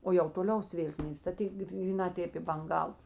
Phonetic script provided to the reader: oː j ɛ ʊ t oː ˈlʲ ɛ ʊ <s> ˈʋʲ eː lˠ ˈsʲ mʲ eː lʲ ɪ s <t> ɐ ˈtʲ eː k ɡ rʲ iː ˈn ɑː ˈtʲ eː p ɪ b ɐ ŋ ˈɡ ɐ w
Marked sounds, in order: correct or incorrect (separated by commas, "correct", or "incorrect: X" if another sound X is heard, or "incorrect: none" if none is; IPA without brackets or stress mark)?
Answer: correct, correct